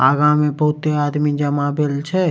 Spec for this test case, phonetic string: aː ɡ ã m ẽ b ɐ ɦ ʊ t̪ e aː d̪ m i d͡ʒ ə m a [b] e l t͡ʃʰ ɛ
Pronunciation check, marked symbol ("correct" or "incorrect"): correct